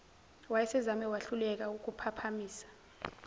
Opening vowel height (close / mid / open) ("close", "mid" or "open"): open